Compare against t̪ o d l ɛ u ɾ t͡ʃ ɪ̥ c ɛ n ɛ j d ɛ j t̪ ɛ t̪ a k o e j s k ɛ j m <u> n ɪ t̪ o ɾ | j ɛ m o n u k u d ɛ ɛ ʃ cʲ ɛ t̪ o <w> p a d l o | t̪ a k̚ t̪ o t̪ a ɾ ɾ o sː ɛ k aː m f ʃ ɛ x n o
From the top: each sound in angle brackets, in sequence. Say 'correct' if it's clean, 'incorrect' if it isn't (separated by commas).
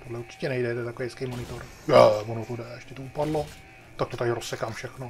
incorrect, incorrect